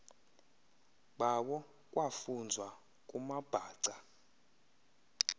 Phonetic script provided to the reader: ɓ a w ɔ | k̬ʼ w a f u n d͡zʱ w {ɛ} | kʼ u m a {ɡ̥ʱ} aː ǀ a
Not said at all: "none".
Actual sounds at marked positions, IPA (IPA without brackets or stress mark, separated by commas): a, b̥ʱ